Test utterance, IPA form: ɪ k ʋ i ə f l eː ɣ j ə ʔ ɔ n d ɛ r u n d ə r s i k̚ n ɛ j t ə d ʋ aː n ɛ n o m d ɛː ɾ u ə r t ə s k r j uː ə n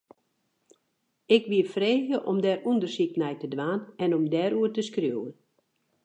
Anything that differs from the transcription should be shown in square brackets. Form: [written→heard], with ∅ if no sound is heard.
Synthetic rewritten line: ɪ k ʋ i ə f [l→r] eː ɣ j ə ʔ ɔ [n→m] d ɛ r u n d ə r s i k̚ n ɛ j t ə d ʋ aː n ɛ n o m d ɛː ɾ u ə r t ə s k r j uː ə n